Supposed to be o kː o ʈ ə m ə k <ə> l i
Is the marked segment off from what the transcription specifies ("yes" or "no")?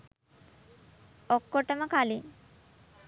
yes